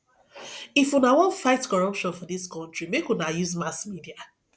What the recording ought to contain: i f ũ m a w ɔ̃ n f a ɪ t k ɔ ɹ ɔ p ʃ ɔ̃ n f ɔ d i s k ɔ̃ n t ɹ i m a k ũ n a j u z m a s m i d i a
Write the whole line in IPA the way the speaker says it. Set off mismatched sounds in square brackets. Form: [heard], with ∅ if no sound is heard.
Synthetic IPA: i f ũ [n] a w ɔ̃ n f a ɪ t k ɔ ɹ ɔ p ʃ ɔ̃ n f ɔ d i s k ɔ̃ n t ɹ i m [e] k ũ n a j u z m a s m i d i a